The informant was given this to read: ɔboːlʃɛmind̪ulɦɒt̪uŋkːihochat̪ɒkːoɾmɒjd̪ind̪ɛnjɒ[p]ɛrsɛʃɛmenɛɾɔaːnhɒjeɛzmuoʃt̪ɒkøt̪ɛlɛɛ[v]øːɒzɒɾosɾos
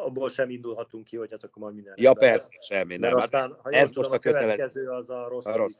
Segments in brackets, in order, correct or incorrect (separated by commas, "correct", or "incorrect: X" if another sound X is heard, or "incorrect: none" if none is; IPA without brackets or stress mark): correct, incorrect: z